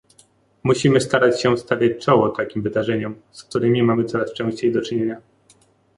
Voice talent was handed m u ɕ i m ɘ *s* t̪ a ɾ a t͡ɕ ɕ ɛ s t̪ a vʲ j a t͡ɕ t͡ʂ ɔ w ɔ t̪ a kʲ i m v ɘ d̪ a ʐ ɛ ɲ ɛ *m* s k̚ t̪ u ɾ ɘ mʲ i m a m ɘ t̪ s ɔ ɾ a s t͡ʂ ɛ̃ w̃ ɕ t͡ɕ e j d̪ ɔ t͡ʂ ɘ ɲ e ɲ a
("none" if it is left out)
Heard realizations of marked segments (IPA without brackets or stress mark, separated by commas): s, m